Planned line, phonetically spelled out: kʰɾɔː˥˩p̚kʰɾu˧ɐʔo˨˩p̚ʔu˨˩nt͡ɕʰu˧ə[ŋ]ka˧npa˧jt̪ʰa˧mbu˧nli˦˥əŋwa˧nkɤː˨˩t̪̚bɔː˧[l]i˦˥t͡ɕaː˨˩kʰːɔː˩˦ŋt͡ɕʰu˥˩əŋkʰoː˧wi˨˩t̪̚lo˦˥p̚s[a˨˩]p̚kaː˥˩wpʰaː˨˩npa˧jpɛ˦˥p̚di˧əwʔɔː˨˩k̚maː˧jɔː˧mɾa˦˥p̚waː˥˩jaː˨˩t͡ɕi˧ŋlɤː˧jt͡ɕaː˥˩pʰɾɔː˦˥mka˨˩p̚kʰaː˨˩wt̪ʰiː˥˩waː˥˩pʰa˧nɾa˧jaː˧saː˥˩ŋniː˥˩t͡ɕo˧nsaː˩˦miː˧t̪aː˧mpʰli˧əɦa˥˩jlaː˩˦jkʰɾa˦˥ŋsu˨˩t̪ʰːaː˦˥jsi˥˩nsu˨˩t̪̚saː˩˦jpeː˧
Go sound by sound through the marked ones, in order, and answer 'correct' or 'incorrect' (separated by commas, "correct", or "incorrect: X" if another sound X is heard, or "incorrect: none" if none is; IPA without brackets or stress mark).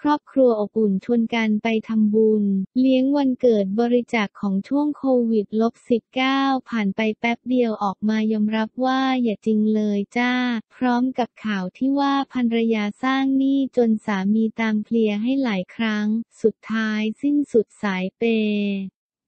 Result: incorrect: n, incorrect: ɾ, incorrect: i˨˩